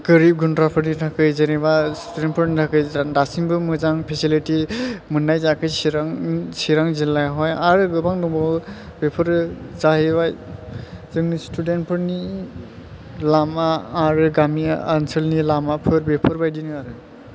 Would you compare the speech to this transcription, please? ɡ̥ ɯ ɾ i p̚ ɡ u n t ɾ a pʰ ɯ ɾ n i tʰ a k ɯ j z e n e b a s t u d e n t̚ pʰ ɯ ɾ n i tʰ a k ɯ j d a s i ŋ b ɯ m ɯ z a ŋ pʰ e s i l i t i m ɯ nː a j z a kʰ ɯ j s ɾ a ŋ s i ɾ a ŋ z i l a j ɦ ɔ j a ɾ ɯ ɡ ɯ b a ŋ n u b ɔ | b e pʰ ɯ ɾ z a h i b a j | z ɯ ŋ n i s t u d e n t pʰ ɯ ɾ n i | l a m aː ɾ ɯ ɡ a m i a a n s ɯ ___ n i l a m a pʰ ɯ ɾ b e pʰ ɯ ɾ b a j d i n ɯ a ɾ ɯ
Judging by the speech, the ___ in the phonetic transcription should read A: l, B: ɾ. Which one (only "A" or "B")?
A